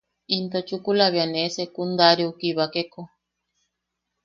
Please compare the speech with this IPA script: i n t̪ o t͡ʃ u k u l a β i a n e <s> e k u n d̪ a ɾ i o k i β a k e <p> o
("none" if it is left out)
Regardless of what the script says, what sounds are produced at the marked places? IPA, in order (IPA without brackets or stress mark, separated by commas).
s, k